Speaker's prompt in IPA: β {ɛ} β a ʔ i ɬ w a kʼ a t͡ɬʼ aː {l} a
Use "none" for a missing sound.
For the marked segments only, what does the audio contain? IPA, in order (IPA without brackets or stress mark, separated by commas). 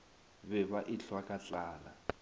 ɛ, l